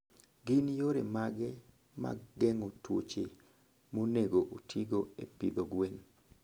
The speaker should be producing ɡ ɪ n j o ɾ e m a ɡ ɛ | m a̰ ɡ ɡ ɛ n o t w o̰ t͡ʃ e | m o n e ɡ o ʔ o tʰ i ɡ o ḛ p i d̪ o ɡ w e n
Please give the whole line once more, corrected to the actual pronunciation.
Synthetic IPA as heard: ɡ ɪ n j o ɾ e m a ɡ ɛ | m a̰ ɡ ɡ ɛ ŋ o t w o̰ t͡ʃ e | m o n e ɡ o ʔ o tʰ i ɡ o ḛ p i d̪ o ɡ w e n

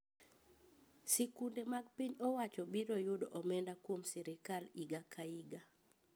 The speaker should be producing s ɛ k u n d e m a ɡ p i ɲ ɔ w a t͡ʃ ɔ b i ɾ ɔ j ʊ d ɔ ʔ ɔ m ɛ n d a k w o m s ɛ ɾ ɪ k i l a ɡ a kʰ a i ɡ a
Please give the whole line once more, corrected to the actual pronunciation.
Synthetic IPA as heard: s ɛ k u n d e m a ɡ p i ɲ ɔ w a t͡ʃ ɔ b i ɾ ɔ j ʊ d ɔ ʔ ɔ m ɛ n d a k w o m s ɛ ɾ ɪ k a l i ɡ a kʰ a i ɡ a

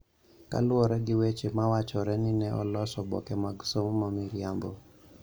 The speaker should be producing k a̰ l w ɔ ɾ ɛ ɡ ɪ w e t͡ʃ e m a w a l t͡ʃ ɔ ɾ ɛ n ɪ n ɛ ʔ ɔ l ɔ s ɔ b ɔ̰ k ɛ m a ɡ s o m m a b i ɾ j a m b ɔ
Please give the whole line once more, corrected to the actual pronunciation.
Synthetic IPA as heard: k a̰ l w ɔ ɾ ɛ ɡ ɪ w e t͡ʃ e m a w a t͡ʃ ɔ ɾ ɛ n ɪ n ɛ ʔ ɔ l ɔ s ɔ b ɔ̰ k ɛ m a ɡ s o m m a m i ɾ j a m b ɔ

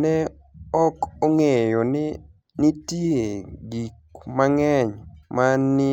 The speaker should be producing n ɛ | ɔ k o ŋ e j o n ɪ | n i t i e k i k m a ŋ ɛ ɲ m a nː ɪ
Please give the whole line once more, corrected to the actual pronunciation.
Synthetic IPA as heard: n ɛ | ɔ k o ŋ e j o n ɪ | n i t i e ɡ i k m a ŋ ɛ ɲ m a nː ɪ

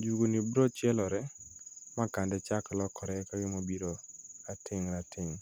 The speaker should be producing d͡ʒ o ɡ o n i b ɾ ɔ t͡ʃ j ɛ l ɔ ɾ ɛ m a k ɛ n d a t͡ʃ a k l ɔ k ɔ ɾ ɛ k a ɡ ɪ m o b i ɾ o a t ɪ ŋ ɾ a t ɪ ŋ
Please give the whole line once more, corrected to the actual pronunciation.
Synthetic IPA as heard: d͡ʒ u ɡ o n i b ɾ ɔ t͡ʃ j ɛ l ɔ ɾ ɛ m a k a n d ɛ t͡ʃ a k l ɔ k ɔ ɾ ɛ k a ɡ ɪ m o b i ɾ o a t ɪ ŋ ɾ a t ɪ ŋ

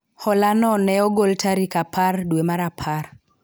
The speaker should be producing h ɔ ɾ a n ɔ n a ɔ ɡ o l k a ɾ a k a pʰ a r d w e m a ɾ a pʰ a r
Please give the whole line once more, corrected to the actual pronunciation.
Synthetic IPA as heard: h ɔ l a n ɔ n ɛ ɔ ɡ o l t a ɾ i k a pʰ a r d w e m a ɾ a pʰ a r

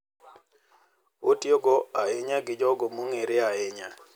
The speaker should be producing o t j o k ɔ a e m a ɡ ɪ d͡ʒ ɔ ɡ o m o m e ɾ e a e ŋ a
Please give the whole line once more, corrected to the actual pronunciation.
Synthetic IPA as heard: o t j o ɡ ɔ a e ɲ a ɡ ɪ d͡ʒ ɔ ɡ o m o ŋ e ɾ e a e ɲ a

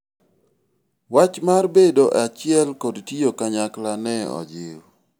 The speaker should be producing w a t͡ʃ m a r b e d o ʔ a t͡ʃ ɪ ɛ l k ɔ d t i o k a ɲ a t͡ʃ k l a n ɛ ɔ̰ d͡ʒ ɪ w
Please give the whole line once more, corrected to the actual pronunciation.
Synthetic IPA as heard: w a t͡ʃ m a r b e d o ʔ a t͡ʃ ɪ ɛ l k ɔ d t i o k a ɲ a k l a n ɛ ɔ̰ d͡ʒ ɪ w

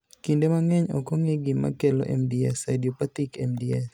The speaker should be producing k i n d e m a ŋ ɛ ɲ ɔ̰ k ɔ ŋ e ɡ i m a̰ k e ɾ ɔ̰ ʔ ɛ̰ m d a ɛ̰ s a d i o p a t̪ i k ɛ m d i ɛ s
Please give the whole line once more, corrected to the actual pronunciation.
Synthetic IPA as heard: k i n d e m a ŋ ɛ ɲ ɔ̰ k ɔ ŋ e ɡ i m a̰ k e l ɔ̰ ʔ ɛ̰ m d i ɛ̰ s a d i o p a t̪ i k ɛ m d i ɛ s

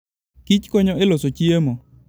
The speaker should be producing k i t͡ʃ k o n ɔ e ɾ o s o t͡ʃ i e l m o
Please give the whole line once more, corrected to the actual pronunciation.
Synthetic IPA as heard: k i t͡ʃ k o ɲ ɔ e l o s o t͡ʃ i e m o

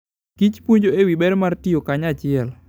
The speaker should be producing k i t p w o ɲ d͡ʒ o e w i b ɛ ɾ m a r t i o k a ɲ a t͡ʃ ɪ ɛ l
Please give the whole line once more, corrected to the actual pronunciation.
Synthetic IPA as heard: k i t͡ʃ p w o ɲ d͡ʒ o e w i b ɛ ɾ m a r t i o k a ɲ a t͡ʃ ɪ ɛ l

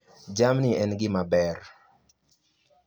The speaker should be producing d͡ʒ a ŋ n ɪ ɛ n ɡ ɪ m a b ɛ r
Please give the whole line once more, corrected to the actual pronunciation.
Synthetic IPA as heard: d͡ʒ a m n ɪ ɛ n ɡ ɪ m a b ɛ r

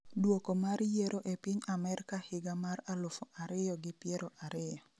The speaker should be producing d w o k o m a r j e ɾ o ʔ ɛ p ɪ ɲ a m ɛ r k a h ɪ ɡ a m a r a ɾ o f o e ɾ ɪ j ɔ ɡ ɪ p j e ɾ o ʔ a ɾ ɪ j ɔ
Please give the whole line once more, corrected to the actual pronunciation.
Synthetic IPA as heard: d w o k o m a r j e ɾ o ʔ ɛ p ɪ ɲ a m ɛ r k a h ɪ ɡ a m a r a l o f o a ɾ ɪ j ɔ ɡ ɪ p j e ɾ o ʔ a ɾ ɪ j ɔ

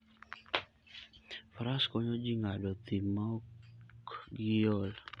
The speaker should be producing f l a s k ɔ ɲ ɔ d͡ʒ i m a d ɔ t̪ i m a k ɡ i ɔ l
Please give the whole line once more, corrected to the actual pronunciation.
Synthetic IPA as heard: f ɾ a s k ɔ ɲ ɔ d͡ʒ i ŋ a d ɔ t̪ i m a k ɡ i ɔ l

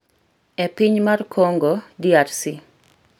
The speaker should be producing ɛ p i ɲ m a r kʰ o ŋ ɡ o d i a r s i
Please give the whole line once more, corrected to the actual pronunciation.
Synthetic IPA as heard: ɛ p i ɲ m a r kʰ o ŋ ɡ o d i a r s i

